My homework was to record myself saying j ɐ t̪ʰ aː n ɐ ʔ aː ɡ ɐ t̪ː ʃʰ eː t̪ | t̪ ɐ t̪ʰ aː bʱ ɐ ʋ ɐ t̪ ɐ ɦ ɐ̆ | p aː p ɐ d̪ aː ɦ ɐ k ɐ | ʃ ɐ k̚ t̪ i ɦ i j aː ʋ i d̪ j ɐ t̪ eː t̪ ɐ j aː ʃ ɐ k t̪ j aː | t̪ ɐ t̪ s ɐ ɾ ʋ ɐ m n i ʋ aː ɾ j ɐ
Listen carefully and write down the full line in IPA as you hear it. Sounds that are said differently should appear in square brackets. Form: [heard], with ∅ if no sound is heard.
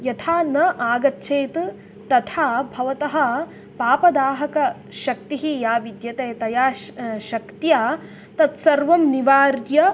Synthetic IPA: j ɐ t̪ʰ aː n ɐ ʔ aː ɡ ɐ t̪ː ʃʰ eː t̪ | t̪ ɐ t̪ʰ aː bʱ ɐ ʋ ɐ t̪ ɐ ɦ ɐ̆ | p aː p ɐ d̪ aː ɦ ɐ k ɐ | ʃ ɐ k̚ t̪ i ɦ i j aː ʋ i d̪ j ɐ t̪ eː t̪ ɐ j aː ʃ ɐ k t̪ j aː | t̪ ɐ t̪ s ɐ ɾ ʋ ɐ m n i ʋ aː ɾ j ɐ